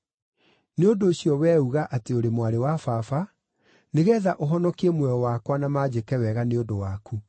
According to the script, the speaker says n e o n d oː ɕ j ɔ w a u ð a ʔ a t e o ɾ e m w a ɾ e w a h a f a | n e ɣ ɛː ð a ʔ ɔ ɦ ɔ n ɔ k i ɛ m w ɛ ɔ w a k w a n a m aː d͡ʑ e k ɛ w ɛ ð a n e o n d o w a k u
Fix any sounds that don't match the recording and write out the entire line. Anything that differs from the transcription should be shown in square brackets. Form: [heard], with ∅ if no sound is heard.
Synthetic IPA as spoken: n e o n d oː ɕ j ɔ w [ɛ] u [ɣ] a ʔ a t e o ɾ e m w a ɾ e w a [f] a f a | n e ɣ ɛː ð a ʔ [o] ɦ ɔ n ɔ k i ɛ m w ɛ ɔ w a k w a n a m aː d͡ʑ e k ɛ w ɛ [ɣ] a n e o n d o w a k u